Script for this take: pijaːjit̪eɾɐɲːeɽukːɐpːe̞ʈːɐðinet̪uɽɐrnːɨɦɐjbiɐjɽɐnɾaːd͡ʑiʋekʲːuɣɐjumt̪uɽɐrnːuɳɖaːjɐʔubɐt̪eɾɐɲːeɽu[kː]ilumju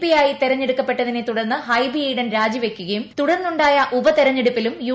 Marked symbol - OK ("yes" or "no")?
no